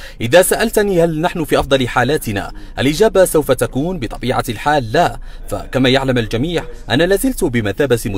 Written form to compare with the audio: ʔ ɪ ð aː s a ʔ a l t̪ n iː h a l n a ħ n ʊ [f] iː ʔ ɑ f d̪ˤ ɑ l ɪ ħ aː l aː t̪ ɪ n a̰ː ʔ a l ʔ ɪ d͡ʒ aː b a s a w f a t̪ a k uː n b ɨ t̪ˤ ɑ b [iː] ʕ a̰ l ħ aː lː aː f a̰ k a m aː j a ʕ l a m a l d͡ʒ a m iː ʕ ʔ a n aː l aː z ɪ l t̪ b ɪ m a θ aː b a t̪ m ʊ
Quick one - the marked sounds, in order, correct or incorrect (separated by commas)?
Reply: correct, correct